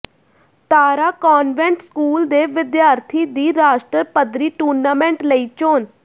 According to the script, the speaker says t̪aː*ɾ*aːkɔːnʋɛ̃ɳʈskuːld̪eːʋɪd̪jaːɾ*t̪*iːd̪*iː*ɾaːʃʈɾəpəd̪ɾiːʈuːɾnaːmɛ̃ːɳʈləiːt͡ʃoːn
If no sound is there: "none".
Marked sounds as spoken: ɾ, t̪ʰ, iː

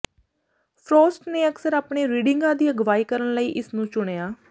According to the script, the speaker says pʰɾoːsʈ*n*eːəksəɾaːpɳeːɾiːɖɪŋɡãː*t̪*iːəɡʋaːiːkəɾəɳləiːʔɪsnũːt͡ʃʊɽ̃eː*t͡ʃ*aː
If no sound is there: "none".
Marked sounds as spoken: n, d̪, none

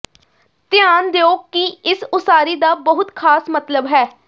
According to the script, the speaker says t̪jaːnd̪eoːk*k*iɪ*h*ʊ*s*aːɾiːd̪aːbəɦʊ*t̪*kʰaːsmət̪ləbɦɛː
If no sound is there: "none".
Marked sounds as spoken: k, s, s, t̪

